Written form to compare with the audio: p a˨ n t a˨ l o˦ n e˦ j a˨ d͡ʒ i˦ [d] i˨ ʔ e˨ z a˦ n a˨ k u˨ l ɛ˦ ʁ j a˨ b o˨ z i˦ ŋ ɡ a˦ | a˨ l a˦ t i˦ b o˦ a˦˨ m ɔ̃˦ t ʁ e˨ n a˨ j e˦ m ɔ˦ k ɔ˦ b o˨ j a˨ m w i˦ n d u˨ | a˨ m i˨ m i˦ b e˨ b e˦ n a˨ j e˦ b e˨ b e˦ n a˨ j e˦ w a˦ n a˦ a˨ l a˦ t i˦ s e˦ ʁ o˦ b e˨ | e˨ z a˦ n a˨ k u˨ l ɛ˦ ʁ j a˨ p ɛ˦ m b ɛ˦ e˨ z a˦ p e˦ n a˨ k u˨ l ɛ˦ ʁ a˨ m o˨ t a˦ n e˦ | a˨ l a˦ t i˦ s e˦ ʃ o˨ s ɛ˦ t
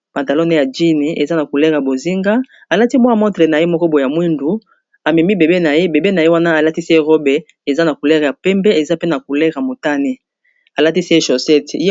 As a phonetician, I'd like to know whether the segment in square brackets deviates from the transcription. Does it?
yes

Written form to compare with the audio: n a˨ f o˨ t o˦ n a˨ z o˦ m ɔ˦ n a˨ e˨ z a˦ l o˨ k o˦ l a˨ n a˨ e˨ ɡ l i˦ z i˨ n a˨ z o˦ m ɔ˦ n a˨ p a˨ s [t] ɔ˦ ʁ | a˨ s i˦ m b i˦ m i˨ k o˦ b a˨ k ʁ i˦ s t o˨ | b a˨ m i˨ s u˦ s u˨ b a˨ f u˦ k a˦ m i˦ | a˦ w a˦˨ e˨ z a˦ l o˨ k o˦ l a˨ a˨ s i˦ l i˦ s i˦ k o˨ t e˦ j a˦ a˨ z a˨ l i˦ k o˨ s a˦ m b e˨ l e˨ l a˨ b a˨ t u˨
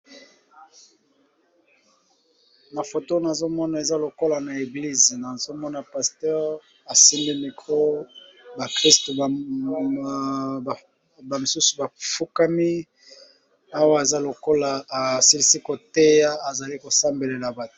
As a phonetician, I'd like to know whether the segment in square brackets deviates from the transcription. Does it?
no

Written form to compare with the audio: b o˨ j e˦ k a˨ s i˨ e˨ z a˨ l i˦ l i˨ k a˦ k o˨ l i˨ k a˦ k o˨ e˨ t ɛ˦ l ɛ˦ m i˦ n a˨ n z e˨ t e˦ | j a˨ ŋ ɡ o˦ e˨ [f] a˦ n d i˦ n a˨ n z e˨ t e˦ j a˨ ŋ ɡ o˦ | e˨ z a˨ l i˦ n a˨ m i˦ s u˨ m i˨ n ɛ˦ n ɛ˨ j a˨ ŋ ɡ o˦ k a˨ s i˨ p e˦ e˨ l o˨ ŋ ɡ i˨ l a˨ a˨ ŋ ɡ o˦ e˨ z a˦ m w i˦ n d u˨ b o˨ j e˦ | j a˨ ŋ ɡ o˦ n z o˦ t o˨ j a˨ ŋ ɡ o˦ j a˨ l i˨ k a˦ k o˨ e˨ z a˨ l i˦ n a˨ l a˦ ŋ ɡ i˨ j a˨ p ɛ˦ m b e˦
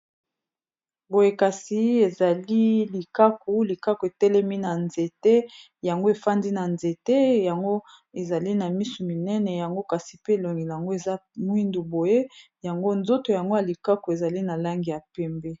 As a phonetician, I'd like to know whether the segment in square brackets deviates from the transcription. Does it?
no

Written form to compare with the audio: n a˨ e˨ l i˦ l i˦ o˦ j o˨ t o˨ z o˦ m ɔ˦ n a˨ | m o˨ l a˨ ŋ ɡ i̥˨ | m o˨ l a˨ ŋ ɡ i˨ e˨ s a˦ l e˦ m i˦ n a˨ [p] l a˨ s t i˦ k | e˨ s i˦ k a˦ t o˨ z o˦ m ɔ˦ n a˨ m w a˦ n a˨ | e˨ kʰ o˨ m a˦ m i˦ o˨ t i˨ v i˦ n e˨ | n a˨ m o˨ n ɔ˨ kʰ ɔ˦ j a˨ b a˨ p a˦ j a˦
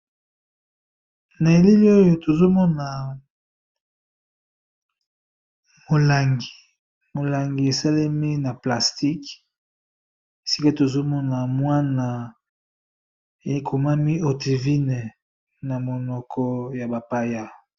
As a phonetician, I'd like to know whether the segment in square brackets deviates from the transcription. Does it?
no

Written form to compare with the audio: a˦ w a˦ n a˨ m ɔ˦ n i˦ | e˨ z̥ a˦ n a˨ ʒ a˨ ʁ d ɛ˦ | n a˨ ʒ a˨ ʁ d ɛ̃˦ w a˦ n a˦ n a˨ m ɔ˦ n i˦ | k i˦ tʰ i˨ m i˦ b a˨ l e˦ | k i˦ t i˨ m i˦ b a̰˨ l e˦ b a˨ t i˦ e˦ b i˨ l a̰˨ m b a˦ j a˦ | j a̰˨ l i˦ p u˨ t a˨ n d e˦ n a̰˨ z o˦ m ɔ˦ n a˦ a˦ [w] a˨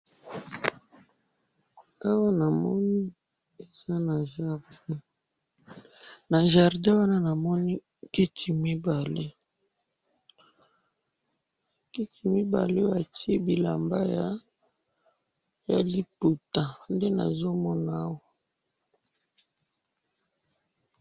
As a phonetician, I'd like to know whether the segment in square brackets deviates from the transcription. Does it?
no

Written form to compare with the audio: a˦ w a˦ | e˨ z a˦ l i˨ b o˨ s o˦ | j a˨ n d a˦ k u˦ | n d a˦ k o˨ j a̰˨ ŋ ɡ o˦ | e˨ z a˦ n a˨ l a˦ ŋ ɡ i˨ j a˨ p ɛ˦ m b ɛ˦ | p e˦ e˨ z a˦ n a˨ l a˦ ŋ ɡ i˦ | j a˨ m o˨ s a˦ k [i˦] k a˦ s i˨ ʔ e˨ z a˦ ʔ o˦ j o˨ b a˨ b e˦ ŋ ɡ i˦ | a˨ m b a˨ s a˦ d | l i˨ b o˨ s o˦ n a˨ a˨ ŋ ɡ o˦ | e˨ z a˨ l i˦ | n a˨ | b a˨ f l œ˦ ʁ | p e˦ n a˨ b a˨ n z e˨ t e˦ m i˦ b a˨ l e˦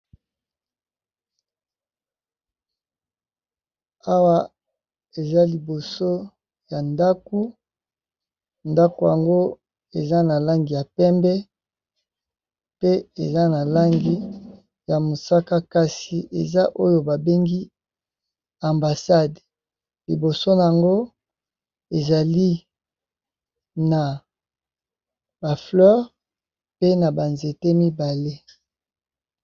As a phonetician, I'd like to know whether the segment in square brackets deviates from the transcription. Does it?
yes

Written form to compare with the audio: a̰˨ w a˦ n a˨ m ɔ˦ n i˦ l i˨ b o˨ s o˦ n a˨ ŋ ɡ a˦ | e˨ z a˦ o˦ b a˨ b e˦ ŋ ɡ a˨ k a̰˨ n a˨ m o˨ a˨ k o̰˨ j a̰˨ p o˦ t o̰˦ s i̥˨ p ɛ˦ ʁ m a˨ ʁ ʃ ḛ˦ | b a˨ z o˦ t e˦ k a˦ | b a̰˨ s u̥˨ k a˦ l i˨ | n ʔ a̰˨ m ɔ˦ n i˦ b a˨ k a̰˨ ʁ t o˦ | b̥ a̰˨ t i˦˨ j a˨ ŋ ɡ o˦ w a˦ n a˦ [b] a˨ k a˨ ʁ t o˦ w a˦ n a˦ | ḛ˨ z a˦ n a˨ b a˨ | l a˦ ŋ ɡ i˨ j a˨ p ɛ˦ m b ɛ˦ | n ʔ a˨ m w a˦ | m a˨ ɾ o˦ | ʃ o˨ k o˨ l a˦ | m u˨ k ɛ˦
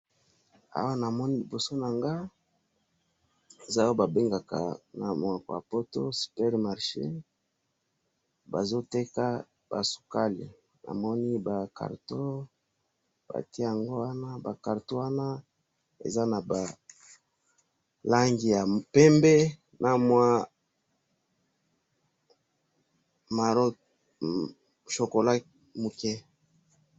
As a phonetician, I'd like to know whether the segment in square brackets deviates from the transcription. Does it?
no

